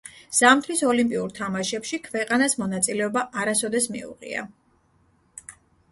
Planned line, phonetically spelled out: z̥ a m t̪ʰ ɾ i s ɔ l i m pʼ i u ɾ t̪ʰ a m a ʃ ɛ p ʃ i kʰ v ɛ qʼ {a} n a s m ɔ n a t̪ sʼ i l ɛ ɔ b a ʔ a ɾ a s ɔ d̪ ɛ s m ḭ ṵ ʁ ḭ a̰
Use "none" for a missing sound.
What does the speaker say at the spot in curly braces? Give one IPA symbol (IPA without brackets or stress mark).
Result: a